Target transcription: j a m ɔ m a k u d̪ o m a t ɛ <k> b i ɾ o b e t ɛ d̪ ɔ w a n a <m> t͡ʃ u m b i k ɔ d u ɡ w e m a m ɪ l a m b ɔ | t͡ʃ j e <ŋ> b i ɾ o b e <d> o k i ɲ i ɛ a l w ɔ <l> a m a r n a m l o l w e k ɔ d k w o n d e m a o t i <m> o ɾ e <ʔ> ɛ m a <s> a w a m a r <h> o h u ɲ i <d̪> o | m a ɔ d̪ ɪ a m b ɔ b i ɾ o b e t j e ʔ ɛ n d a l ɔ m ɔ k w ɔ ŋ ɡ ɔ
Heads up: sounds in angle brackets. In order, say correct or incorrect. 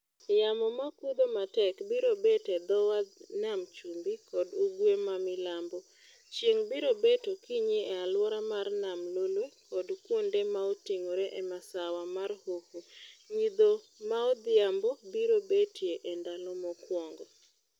correct, correct, correct, incorrect: t, incorrect: ɾ, incorrect: ŋ, correct, correct, correct, correct

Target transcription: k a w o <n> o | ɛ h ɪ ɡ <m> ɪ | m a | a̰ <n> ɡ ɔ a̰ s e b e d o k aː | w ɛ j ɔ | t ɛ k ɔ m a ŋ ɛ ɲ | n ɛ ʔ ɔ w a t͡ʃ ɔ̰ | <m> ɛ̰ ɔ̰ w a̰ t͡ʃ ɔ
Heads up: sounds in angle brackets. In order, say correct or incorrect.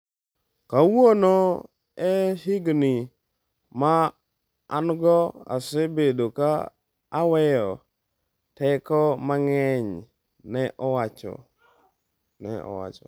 correct, incorrect: n, correct, incorrect: n

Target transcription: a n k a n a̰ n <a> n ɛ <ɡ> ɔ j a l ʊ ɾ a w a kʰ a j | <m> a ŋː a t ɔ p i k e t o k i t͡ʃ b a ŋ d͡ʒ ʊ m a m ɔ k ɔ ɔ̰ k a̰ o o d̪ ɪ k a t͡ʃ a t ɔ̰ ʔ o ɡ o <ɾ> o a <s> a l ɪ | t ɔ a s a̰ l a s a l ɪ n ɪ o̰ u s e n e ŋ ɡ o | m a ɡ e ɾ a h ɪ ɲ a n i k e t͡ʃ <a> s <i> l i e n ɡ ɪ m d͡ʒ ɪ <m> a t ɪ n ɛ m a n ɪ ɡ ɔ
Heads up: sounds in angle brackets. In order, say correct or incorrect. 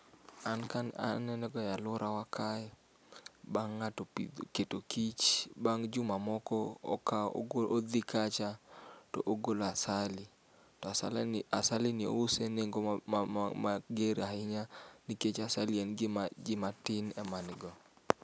incorrect: ɛ, correct, incorrect: b, incorrect: l, correct, correct, incorrect: a, correct

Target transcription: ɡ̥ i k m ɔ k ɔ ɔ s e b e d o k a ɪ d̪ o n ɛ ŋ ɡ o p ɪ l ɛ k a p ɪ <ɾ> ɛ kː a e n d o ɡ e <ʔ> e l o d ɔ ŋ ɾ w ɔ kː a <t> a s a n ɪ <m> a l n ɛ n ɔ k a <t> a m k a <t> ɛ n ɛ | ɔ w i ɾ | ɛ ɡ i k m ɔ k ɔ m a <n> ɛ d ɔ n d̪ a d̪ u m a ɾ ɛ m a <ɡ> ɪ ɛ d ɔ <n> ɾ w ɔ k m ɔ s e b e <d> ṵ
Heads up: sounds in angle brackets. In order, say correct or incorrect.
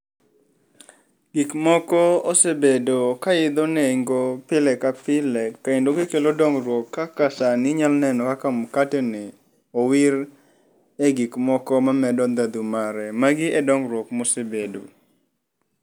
incorrect: l, incorrect: k, incorrect: k, incorrect: ɲ, incorrect: k, correct, incorrect: m, correct, incorrect: ŋ, correct

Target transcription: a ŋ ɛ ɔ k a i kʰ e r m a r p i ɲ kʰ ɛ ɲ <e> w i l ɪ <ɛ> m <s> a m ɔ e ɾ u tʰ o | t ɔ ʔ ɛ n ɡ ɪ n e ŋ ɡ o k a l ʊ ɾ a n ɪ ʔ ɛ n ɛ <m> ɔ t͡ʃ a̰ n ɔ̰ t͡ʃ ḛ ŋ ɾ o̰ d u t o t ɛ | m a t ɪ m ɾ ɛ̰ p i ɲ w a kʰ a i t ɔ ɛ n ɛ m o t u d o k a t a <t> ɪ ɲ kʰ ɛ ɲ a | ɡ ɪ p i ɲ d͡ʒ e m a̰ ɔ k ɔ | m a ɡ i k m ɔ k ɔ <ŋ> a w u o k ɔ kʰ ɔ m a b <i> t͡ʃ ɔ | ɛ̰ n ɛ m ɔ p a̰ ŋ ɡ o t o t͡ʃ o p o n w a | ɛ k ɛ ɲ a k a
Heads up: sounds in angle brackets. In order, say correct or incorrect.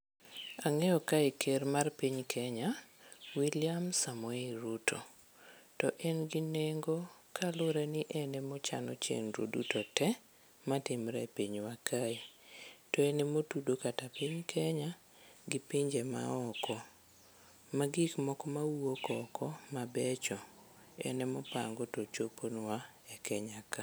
incorrect: a, incorrect: a, correct, correct, incorrect: p, incorrect: m, incorrect: ɛ

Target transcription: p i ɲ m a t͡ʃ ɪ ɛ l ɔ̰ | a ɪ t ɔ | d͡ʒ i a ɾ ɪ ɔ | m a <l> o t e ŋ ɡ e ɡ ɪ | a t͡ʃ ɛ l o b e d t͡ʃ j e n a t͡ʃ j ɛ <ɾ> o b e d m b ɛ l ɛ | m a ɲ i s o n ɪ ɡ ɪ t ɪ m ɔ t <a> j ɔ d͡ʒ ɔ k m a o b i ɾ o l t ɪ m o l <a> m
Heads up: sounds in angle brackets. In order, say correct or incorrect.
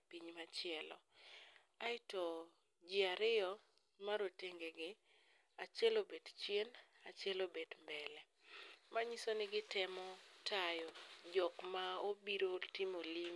incorrect: ɾ, incorrect: l, correct, incorrect: i

